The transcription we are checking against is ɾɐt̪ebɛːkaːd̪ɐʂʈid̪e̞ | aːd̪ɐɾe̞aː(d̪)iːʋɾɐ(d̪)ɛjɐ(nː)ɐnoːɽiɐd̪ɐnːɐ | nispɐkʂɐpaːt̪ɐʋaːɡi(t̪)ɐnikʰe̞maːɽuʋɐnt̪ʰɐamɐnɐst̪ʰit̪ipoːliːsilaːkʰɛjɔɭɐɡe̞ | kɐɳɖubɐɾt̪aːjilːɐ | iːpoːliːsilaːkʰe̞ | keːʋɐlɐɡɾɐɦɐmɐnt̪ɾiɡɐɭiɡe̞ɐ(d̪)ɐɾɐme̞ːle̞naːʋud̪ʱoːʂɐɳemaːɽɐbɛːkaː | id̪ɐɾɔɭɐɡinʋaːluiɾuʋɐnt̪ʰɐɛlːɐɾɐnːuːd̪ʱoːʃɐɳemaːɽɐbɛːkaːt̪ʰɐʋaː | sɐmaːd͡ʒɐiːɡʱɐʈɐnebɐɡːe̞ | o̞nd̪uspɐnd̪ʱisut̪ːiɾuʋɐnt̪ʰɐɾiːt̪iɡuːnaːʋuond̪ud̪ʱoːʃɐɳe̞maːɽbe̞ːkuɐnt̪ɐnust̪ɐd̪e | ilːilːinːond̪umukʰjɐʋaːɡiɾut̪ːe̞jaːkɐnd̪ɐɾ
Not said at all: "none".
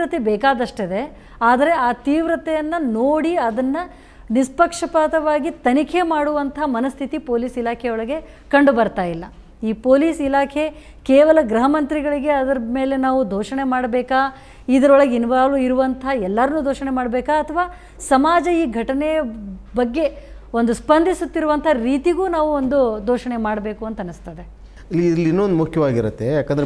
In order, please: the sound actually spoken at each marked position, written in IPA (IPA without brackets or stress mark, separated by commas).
t̪, t̪, nː, t̪, d̪